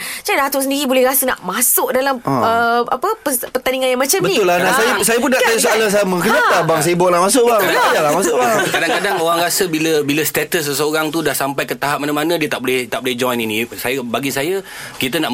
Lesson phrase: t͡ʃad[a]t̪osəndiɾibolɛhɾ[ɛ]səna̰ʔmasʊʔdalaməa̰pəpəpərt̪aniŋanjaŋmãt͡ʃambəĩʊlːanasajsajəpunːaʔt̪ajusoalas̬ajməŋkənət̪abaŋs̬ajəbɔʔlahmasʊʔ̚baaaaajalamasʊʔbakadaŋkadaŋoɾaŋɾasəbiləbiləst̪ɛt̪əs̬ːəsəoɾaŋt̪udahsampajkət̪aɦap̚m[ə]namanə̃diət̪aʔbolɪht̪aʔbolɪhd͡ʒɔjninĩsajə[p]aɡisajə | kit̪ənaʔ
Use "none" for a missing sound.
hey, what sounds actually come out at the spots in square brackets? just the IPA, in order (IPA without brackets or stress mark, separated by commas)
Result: a, a, a, b